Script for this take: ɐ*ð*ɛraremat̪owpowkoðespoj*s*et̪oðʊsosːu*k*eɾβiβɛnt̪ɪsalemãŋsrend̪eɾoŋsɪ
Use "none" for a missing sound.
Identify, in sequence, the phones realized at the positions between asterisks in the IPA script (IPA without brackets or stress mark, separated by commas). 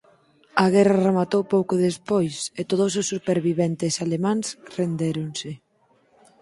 ɣ, s, p